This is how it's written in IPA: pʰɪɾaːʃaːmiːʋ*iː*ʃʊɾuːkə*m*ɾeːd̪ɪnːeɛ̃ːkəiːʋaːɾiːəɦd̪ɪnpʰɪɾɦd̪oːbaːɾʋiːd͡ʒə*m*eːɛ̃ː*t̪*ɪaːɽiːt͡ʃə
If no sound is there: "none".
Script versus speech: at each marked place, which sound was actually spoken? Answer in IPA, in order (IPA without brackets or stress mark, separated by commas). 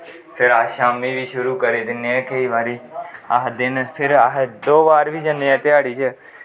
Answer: iː, none, n, t̪